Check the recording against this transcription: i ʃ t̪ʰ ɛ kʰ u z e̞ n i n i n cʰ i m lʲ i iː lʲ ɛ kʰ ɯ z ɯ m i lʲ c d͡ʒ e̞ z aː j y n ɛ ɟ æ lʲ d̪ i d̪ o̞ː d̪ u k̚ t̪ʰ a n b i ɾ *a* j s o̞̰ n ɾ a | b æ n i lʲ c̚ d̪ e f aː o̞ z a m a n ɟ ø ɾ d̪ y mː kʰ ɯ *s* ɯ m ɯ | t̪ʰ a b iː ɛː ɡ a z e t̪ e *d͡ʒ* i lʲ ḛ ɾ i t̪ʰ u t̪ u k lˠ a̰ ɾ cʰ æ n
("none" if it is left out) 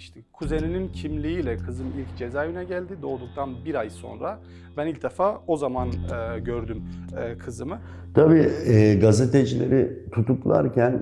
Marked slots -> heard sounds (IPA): a, z, d͡ʒ

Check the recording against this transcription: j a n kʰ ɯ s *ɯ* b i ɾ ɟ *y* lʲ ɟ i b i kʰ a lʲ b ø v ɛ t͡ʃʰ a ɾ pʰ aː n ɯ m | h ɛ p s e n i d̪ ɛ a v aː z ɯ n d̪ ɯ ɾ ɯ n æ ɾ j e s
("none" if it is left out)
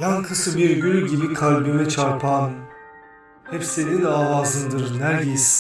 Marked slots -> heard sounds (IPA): ɯ, y

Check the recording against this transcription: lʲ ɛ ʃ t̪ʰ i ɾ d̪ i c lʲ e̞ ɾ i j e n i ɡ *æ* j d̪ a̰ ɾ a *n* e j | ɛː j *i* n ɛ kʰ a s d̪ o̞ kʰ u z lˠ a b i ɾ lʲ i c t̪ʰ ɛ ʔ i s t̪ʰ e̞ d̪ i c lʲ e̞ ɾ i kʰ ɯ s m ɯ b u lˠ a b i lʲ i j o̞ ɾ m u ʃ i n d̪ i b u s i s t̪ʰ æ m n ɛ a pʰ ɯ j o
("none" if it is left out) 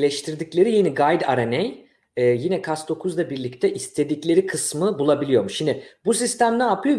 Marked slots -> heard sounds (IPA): a, n, i

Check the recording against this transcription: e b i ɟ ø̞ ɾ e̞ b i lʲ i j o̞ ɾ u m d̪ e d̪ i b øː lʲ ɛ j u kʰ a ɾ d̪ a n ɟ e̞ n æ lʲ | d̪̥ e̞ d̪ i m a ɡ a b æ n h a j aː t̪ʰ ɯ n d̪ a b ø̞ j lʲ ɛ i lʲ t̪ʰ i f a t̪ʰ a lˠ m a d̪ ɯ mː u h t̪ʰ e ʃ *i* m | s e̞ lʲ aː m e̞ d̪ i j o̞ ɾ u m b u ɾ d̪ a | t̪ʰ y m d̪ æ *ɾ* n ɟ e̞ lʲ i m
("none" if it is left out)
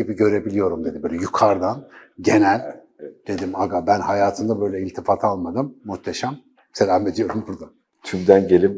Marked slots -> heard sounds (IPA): a, none

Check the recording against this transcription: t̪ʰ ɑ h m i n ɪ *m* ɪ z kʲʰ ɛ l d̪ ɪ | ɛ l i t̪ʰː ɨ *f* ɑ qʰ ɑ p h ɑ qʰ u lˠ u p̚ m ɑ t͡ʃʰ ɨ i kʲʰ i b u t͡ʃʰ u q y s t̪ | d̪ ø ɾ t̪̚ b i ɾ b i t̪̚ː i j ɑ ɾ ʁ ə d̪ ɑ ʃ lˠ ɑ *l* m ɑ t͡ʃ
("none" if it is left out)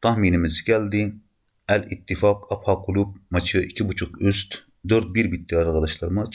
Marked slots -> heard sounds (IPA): m, f, ɾ

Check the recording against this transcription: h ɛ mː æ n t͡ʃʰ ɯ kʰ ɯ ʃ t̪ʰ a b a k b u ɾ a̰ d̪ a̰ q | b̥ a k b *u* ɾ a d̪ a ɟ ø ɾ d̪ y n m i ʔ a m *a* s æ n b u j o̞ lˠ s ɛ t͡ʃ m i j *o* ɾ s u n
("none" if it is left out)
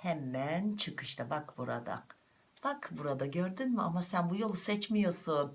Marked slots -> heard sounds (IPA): u, a, o

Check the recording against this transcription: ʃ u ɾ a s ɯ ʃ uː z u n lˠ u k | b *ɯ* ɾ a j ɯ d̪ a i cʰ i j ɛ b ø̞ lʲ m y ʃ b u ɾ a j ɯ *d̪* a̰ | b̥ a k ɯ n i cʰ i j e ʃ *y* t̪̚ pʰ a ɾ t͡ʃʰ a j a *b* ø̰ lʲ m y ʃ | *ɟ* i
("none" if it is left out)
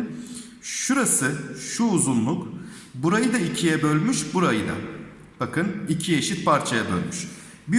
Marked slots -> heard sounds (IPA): u, d̪, i, b, b

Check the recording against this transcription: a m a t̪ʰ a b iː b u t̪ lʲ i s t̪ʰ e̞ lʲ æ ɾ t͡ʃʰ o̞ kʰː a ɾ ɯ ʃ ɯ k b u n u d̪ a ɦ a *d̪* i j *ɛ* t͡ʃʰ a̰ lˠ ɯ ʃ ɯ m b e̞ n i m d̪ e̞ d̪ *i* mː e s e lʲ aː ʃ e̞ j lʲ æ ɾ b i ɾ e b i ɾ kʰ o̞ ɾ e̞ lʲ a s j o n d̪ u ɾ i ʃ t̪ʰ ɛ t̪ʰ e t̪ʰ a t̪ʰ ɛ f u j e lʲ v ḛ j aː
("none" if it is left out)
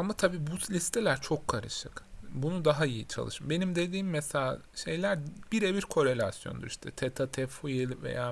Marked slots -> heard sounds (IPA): none, i, iː

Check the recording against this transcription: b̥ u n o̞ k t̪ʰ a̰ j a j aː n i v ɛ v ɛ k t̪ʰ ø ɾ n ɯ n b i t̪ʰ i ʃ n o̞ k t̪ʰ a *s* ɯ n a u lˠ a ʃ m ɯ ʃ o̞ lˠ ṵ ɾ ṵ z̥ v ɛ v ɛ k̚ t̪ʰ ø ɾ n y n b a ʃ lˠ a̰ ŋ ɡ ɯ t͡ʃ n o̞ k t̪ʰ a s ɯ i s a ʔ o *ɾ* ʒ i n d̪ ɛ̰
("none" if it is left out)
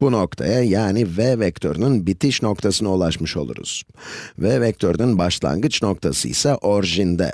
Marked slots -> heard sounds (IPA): s, ɾ

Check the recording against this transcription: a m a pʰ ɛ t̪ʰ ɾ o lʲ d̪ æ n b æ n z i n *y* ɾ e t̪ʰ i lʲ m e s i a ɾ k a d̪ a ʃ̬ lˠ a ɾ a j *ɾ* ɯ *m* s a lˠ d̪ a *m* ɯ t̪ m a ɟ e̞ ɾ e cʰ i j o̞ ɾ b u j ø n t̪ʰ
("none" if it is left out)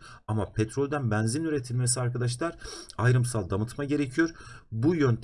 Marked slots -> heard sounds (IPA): y, ɾ, m, m

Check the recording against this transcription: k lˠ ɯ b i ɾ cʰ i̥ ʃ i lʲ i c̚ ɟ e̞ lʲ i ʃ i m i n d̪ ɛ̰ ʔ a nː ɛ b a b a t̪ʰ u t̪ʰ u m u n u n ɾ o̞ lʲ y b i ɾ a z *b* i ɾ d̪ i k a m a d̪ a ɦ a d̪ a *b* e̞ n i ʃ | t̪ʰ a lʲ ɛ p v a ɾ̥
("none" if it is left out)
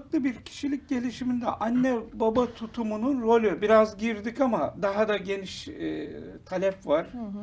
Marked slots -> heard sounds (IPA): ɟ, ɟ

